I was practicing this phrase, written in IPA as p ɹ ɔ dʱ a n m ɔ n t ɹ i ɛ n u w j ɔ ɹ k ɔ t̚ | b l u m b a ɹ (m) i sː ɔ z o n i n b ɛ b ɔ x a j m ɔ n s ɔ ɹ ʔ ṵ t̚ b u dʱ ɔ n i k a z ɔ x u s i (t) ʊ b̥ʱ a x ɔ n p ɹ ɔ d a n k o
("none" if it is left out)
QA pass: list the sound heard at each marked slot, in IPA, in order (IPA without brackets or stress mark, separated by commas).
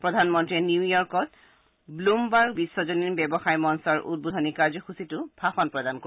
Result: b, t